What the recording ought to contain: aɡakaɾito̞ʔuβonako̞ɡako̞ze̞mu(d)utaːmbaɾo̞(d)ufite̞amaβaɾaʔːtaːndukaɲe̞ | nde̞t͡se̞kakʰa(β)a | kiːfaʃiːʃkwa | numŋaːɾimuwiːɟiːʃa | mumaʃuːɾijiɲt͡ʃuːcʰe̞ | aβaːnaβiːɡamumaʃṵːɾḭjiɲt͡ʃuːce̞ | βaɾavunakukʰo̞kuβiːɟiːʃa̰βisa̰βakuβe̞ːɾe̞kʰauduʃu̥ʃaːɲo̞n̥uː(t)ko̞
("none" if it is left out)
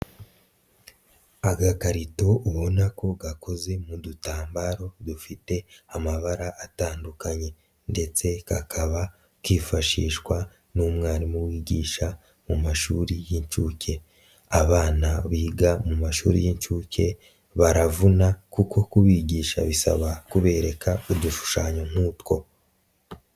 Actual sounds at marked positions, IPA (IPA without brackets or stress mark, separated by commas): d, d, β, t